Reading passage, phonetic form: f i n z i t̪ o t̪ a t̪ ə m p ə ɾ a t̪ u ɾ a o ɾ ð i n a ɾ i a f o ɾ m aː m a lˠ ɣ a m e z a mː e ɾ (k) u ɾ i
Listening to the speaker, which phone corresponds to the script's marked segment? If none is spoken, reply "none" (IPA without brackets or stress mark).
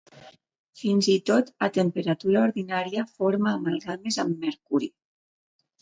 k